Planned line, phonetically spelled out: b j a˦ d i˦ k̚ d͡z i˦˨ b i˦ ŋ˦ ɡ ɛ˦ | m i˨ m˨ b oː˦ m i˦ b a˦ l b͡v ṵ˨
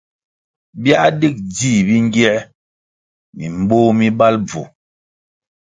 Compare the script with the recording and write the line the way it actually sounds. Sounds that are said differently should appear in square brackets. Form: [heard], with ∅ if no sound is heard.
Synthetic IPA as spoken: b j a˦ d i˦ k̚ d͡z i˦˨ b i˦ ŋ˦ ɡ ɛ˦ | m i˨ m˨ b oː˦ m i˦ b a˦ l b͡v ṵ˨